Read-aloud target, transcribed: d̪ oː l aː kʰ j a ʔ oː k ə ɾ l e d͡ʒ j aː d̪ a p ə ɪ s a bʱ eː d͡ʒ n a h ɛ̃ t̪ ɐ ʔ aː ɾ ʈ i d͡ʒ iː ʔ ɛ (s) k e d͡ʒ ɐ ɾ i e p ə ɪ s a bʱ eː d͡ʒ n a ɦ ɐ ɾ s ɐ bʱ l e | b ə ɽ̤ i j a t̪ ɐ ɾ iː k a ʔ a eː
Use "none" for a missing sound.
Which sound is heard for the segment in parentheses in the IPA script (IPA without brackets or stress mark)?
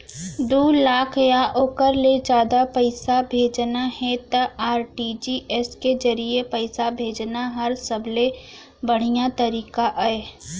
s